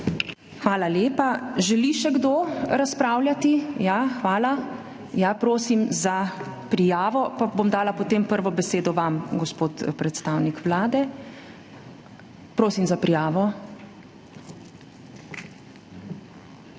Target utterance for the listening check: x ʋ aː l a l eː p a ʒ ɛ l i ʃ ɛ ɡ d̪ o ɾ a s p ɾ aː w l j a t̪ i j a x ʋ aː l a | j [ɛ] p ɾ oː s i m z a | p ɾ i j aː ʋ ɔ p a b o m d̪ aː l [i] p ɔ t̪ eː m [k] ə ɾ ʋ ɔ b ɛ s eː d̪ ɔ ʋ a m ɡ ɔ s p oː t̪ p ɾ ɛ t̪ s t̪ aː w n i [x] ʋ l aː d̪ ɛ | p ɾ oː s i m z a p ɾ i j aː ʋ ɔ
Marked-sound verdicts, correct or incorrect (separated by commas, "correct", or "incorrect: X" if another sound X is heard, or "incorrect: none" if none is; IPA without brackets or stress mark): incorrect: a, incorrect: a, incorrect: p, incorrect: k